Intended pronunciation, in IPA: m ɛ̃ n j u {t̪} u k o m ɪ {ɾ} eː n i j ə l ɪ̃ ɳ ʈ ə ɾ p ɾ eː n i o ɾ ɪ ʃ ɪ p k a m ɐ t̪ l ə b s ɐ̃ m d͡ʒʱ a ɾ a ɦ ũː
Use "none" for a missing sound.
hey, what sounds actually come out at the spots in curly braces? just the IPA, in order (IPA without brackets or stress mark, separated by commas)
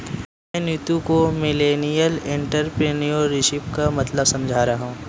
t̪, l